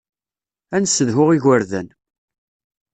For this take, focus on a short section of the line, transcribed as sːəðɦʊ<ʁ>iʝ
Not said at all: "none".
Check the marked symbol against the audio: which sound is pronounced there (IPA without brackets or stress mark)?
ʁ